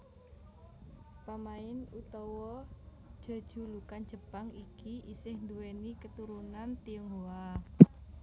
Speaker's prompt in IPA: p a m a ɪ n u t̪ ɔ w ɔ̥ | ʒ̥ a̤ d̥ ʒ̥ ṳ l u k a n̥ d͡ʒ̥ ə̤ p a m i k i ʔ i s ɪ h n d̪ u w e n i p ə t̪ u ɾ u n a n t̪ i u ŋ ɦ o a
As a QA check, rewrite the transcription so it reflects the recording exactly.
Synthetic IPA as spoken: p a m a ɪ n u t̪ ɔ w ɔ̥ | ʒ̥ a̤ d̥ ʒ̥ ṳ l u k a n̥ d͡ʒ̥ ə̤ p a ŋ i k i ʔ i s ɪ h n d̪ u w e n i k ə t̪ u ɾ u n a n t̪ i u ŋ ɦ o a